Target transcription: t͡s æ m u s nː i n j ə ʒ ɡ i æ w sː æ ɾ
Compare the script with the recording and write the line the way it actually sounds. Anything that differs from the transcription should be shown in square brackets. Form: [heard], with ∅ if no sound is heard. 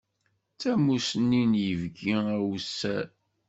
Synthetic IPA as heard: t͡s æ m u s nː i n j ə [v] ɡ i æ w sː æ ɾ